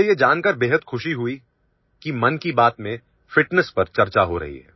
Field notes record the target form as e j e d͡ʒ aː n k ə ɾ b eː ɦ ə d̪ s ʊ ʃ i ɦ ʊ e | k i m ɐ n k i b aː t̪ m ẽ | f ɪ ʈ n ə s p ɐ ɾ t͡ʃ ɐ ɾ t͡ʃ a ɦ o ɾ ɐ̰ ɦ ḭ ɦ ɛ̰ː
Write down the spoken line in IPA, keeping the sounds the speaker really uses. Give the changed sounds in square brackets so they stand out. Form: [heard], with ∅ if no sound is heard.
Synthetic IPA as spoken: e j e d͡ʒ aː n k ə ɾ b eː ɦ ə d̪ [x] ʊ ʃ i ɦ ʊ [i] | k i m ɐ n k i b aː t̪ m ẽ | f ɪ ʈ n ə s p ɐ ɾ t͡ʃ ɐ ɾ t͡ʃ a ɦ o ɾ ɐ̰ ɦ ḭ ɦ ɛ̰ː